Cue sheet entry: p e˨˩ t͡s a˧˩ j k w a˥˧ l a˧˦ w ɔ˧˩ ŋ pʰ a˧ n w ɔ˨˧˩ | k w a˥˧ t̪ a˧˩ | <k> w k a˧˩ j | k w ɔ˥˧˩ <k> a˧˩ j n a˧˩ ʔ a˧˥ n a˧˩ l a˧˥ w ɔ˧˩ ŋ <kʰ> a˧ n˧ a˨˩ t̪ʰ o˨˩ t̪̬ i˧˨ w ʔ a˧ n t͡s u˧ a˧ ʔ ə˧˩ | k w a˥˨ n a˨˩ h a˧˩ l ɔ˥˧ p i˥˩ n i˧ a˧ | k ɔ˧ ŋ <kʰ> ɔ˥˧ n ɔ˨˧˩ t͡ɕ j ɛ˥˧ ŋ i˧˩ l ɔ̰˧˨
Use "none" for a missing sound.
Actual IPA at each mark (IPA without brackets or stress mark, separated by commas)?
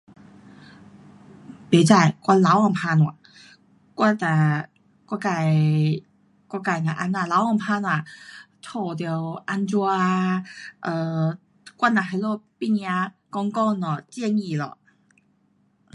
k, k, pʰ, k